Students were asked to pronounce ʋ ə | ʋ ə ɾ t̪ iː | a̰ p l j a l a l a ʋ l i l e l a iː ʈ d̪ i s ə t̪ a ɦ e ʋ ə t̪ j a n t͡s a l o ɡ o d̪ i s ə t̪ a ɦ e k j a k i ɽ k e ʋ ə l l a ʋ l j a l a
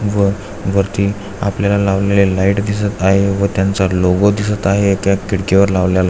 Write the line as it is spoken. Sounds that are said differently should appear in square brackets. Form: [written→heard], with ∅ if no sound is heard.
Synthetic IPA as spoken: ʋ ə | ʋ ə ɾ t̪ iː | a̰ p l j a l a l a ʋ l [i→e] l e l a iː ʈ d̪ i s ə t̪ a ɦ e ʋ ə t̪ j a n t͡s a l o ɡ o d̪ i s ə t̪ a ɦ e k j a k i ɽ k e ʋ ə [l→ɾ] l a ʋ l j a l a